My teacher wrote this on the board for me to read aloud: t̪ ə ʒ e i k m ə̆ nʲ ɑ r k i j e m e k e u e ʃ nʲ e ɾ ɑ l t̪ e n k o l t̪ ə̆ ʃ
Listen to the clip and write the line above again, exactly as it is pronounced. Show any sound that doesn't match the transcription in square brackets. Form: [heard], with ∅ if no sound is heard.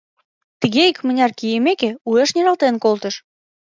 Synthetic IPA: t̪ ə [ɣ] e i k m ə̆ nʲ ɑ r k i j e m e k e u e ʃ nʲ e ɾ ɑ l t̪ e n k o l t̪ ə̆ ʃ